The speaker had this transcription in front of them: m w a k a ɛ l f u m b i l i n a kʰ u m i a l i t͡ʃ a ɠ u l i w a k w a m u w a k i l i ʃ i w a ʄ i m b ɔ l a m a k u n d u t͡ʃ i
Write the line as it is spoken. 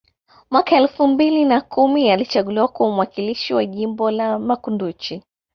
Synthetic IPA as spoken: m w a k a ɛ l f u m b i l i n a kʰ u m i a l i t͡ʃ a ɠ u l i w a k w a m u w a k i l i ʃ i w a ʄ i m b ɔ l a m a k u n d u t͡ʃ i